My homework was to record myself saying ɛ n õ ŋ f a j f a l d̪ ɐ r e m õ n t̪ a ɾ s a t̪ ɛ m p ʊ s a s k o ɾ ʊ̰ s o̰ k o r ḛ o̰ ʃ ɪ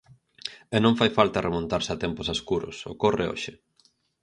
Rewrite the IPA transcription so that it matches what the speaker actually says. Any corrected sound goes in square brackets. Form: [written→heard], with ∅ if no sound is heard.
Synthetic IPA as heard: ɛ n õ ŋ f a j f a l [d̪→t̪] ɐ r e m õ n t̪ a ɾ s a t̪ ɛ m p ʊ s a s k [o→u] ɾ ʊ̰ s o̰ k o r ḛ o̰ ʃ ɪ